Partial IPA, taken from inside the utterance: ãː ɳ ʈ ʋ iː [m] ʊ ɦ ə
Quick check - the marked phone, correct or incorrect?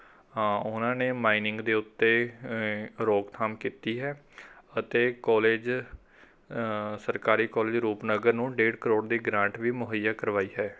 correct